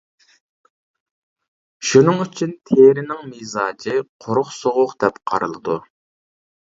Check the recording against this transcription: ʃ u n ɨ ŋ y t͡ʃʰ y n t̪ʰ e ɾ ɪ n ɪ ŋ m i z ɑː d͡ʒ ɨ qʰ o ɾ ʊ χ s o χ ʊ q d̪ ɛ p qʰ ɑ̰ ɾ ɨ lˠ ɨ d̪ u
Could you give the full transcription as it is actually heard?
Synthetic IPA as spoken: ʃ u n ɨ ŋ y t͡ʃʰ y n t̪ʰ e ɾ ɪ n ɪ ŋ m i z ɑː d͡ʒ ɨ qʰ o ɾ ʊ χ s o ʁ ʊ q d̪ ɛ p qʰ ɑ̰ ɾ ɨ lˠ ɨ d̪ u